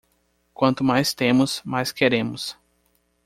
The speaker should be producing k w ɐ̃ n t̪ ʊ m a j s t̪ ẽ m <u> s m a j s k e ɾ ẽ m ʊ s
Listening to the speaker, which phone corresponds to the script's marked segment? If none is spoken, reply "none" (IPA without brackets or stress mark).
ʊ